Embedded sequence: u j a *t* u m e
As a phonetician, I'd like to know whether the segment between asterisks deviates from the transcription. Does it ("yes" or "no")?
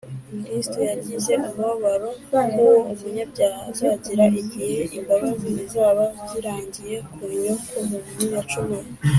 yes